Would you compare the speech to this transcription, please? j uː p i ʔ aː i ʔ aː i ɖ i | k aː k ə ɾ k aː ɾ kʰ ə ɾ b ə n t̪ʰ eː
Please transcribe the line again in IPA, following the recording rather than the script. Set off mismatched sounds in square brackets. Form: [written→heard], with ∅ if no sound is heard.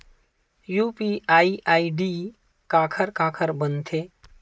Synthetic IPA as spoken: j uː p i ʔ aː i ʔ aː i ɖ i | k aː [k→kʰ] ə ɾ k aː [ɾ→∅] kʰ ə ɾ b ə n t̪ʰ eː